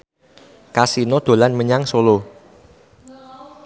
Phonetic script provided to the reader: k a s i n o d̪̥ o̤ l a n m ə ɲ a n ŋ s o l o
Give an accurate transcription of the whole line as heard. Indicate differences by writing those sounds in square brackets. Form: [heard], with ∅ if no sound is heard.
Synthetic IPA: k a s i n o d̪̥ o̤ l a n m ə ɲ a [∅] ŋ s o l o